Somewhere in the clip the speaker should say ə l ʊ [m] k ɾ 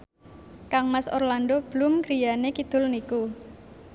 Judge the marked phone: correct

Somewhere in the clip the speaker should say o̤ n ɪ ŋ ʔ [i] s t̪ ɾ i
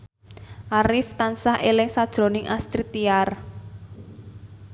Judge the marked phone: incorrect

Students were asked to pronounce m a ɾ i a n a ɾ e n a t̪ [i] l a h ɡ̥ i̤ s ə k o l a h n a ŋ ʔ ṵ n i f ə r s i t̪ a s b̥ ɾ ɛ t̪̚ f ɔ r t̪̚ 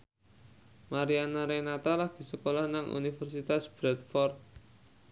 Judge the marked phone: incorrect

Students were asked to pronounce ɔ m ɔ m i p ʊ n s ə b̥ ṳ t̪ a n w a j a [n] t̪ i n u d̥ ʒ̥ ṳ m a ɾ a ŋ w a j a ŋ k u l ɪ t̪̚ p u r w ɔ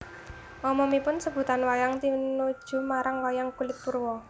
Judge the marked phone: incorrect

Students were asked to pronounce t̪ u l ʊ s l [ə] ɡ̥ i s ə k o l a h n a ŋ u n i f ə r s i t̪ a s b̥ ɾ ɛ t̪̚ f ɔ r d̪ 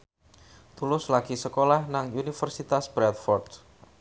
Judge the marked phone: incorrect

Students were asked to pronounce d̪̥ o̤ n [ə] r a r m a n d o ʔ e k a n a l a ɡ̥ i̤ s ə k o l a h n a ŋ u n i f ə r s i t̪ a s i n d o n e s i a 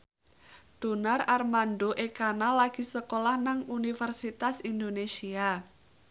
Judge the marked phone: incorrect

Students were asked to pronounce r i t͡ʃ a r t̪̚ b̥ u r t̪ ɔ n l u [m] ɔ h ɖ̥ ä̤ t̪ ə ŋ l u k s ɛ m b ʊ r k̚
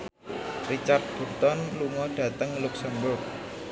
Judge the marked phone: incorrect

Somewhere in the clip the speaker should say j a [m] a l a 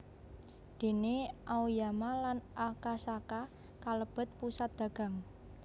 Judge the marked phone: correct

